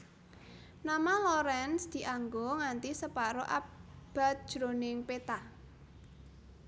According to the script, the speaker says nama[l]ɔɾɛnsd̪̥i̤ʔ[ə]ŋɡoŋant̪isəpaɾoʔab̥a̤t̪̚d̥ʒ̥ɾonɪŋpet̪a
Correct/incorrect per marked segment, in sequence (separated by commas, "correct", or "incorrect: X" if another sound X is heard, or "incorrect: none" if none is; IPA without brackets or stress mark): correct, incorrect: a